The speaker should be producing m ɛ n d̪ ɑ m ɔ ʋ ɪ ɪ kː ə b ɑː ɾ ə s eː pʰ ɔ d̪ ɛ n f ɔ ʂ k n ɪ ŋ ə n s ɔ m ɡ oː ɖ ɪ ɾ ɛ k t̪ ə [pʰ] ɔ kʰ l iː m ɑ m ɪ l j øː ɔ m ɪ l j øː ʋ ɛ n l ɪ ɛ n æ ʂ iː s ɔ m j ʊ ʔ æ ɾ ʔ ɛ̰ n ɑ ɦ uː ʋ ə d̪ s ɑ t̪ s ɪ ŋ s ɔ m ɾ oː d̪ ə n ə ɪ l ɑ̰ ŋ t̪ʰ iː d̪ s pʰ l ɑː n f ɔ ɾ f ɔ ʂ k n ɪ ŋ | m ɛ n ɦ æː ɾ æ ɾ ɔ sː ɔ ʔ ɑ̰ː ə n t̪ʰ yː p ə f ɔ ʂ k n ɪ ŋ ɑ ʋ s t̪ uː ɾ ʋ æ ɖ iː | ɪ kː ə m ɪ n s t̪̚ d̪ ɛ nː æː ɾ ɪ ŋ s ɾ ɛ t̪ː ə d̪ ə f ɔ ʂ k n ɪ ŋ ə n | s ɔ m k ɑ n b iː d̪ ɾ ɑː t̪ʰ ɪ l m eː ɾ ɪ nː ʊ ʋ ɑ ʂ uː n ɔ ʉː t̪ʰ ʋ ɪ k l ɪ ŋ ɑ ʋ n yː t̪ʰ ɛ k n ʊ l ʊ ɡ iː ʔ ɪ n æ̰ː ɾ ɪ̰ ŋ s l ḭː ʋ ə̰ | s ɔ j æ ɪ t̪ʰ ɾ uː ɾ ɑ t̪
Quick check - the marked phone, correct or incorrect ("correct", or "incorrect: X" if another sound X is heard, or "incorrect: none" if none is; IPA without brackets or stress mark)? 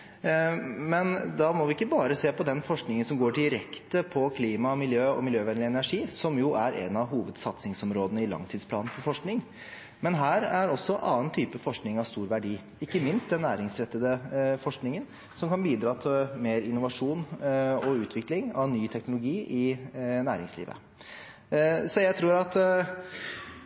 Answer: correct